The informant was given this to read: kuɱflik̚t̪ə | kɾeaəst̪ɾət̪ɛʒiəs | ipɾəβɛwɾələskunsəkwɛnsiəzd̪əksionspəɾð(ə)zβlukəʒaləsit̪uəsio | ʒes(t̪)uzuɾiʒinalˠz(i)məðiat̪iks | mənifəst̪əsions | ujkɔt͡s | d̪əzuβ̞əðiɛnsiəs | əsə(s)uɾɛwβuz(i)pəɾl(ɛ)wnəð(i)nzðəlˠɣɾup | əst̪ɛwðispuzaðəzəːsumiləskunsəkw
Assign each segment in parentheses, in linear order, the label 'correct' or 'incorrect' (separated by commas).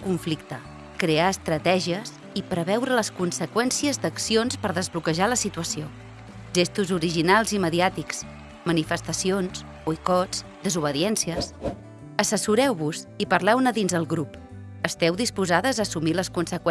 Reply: correct, correct, correct, correct, correct, correct, correct